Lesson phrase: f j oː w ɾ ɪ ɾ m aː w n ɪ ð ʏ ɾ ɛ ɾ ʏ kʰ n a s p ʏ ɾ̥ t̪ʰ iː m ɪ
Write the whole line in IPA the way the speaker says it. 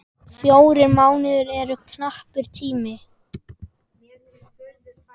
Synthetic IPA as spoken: f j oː w ɾ ɪ ɾ m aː w n ɪ ð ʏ ɾ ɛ ɾ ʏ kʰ n a h p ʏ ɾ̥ t̪ʰ iː m ɪ